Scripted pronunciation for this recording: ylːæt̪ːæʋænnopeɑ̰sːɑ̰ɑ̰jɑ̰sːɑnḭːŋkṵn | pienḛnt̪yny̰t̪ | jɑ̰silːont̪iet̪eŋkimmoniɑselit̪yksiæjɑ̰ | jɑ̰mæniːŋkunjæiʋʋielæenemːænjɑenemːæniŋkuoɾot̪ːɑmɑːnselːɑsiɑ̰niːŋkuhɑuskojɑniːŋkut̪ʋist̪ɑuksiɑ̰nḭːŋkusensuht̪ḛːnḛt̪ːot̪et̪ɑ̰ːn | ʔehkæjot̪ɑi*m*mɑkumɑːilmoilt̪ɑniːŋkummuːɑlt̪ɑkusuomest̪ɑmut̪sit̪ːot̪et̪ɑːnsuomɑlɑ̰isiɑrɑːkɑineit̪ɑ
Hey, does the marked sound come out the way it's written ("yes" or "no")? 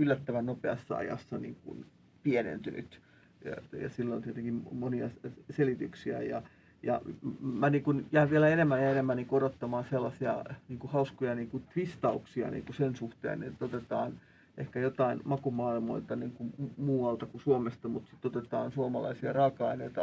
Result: no